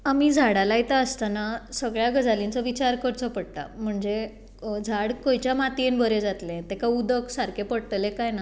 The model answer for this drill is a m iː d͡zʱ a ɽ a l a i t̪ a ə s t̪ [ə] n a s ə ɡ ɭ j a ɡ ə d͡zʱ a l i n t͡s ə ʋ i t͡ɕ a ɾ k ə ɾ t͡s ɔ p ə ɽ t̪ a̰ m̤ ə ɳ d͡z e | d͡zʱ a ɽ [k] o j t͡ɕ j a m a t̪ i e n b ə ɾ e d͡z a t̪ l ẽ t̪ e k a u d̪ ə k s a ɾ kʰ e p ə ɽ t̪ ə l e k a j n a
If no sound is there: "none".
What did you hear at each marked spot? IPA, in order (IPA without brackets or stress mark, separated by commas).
a, k